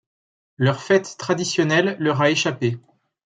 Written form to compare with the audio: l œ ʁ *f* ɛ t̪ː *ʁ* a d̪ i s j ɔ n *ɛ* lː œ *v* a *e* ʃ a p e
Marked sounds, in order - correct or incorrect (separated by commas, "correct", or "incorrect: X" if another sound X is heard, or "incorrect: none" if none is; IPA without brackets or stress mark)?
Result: correct, incorrect: χ, correct, incorrect: ʁ, correct